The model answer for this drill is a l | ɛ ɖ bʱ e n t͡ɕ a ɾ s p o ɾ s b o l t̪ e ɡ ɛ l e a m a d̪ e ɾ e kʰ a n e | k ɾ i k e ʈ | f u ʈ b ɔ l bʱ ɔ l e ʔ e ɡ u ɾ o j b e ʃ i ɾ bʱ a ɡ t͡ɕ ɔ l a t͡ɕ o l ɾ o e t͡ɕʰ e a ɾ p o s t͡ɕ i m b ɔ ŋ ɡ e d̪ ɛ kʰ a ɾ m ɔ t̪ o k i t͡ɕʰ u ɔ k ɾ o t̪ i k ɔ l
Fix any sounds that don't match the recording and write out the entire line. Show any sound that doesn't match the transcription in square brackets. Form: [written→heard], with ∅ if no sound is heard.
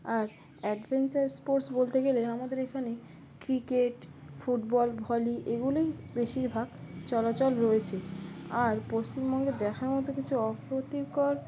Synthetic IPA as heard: a [l→ɾ] | ɛ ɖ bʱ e n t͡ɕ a ɾ s p o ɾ s b o l t̪ e ɡ [ɛ→e] l e a m a d̪ e ɾ e kʰ a n e | k ɾ i k e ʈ | f u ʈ b ɔ l bʱ ɔ l [e→i] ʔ e ɡ u [ɾ→l] o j b e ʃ i ɾ bʱ a ɡ t͡ɕ ɔ l a t͡ɕ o l ɾ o e t͡ɕʰ e a ɾ p o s t͡ɕ i m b ɔ ŋ ɡ e d̪ ɛ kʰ a ɾ m ɔ t̪ o k i t͡ɕʰ u ɔ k ɾ o t̪ i k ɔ [l→ɾ]

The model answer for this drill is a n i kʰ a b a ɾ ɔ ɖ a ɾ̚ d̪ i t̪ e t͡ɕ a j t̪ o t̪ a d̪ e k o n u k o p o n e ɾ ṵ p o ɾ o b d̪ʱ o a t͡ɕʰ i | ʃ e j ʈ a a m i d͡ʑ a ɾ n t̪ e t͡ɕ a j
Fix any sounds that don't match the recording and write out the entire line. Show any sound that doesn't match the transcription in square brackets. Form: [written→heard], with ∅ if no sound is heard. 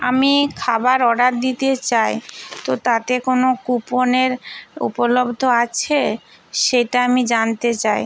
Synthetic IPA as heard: a [n→m] i kʰ a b a ɾ ɔ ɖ a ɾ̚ d̪ i t̪ e t͡ɕ a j t̪ o t̪ a [d̪→t̪] e k o n [u→o] k [o→u] p o n e ɾ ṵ p o [ɾ→l] o b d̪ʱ o a t͡ɕʰ [i→e] | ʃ e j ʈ a a m i d͡ʑ a [ɾ→∅] n t̪ e t͡ɕ a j

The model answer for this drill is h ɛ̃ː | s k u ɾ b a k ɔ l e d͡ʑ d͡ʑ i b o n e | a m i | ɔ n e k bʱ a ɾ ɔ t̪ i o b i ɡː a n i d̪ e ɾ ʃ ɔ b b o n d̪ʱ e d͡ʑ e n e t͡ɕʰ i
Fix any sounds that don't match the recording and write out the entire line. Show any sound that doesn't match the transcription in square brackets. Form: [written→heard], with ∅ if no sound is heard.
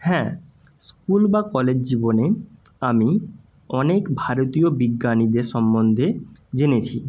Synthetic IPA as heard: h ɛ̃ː | s k u [ɾ→l] b a k ɔ l e d͡ʑ d͡ʑ i b o n e | a m i | ɔ n e k bʱ a ɾ [ɔ→o] t̪ i o b i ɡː a n i d̪ e ɾ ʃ ɔ [b→m] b o n d̪ʱ e d͡ʑ e n e t͡ɕʰ i

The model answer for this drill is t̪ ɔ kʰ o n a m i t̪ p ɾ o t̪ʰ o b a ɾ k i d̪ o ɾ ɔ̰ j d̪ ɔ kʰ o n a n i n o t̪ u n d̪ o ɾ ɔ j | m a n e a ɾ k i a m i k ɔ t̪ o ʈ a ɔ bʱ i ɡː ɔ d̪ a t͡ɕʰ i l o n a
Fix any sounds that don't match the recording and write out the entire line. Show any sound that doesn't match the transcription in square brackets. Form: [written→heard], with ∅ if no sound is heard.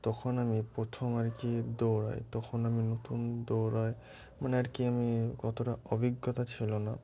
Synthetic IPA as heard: t̪ ɔ kʰ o n a m i [t̪→∅] p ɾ o t̪ʰ o [b→m] a ɾ k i d̪ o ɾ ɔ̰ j [d̪→t̪] ɔ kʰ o n a [n→m] i n o t̪ u n d̪ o ɾ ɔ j | m a n e a ɾ k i a m i k ɔ t̪ o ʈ a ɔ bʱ i ɡː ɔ [d̪→t̪] a t͡ɕʰ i l o n a

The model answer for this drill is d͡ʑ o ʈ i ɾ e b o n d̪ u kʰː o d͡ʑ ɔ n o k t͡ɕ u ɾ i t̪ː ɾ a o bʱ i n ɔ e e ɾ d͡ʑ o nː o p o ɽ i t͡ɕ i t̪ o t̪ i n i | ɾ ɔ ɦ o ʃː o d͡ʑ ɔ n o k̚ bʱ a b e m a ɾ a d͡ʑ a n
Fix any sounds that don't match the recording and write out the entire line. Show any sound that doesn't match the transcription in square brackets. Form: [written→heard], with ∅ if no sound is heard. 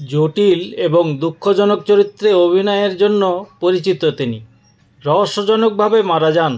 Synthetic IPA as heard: d͡ʑ o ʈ i [ɾ→l] e b o [n→ŋ] d̪ u kʰː o d͡ʑ ɔ n o k t͡ɕ [u→o] ɾ i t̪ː ɾ [a→e] o bʱ i n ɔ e e ɾ d͡ʑ o nː o p o [ɽ→ɾ] i t͡ɕ i t̪ o t̪ i n i | ɾ ɔ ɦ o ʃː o d͡ʑ ɔ n o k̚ bʱ a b e m a ɾ a d͡ʑ a n

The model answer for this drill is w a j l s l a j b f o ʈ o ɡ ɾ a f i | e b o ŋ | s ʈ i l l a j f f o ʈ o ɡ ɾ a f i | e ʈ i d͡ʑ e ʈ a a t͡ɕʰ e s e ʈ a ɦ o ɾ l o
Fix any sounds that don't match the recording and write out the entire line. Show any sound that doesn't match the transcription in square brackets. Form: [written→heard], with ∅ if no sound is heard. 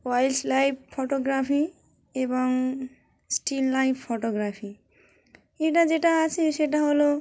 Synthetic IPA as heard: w a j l s l a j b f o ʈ o ɡ ɾ a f i | e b o ŋ | s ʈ i l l a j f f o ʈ o ɡ ɾ a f i | e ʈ [i→a] d͡ʑ e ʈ a a t͡ɕʰ e [s→ʃ] e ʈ a ɦ o [ɾ→∅] l o

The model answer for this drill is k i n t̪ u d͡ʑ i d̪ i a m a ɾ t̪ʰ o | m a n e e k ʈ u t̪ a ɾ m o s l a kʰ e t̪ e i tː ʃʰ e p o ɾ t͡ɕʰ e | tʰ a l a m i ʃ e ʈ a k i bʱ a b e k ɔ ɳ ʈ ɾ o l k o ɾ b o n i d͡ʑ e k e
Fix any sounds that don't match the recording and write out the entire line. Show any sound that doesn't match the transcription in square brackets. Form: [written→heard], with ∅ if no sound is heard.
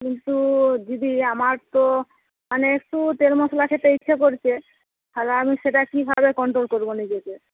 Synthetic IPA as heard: k i n t̪ u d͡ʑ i d̪ i a m a ɾ [t̪ʰ→t̪] o | m a n e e k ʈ u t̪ [a→e] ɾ m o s l a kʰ e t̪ e i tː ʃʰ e [p→k] o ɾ t͡ɕʰ e | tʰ a l a m i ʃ e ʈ a k i bʱ a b e k ɔ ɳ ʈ ɾ o l k o ɾ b o n i d͡ʑ e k e

